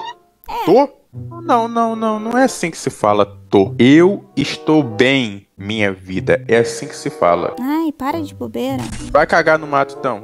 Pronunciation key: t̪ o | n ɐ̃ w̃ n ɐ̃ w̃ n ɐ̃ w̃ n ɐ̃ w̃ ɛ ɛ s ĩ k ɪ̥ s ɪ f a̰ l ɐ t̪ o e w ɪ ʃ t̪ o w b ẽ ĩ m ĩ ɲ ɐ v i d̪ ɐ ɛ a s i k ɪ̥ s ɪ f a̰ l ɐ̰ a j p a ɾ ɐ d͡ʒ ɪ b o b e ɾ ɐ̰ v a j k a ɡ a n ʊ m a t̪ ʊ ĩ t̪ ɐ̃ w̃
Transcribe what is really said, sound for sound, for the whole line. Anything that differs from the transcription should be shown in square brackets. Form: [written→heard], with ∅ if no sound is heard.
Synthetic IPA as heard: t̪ o | n ɐ̃ w̃ n ɐ̃ w̃ n ɐ̃ w̃ n ɐ̃ w̃ ɛ [ɛ→a] s ĩ k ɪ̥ s ɪ f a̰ l ɐ t̪ o e w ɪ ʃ t̪ o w b ẽ [ĩ→j̃] m ĩ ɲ ɐ v i d̪ ɐ ɛ a s [i→ĩ] k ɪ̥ s ɪ f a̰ l ɐ̰ a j p a ɾ ɐ d͡ʒ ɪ b o b e ɾ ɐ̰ v a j k a ɡ a n ʊ m a t̪ ʊ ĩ t̪ ɐ̃ w̃